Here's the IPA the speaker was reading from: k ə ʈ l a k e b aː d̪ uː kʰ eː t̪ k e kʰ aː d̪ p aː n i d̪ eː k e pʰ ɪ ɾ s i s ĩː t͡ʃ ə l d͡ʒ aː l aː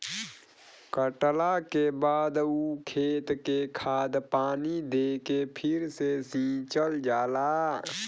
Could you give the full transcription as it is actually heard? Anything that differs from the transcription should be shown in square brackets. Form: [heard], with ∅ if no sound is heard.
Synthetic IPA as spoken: k ə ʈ l a k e b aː d̪ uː kʰ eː t̪ k e kʰ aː d̪ p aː n i d̪ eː k e pʰ ɪ ɾ s [e] s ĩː t͡ʃ ə l d͡ʒ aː l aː